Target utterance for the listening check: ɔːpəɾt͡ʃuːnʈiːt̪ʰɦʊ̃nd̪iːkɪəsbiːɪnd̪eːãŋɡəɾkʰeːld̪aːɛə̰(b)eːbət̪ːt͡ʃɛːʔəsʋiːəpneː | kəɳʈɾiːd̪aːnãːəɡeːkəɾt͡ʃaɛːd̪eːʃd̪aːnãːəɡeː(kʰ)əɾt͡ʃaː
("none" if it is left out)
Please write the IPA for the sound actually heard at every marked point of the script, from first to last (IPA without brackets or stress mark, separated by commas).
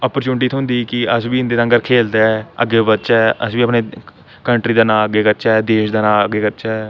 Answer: ɡ, k